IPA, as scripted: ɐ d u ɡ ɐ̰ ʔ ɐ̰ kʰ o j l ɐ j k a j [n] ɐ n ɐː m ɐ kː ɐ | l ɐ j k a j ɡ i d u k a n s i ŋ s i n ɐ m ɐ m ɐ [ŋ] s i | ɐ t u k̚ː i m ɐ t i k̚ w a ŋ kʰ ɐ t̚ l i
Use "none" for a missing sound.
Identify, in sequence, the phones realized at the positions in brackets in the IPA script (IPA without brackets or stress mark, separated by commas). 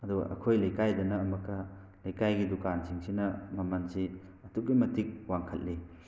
d, n